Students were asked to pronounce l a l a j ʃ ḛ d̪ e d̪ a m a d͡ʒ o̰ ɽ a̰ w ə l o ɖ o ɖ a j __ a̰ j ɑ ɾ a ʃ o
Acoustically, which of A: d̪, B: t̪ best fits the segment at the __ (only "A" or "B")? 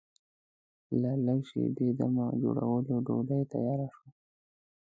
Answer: B